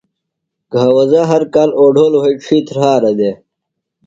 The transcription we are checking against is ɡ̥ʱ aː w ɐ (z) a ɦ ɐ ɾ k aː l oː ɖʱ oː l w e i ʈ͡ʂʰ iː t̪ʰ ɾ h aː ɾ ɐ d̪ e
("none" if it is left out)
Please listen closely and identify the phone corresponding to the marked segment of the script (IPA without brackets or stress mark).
z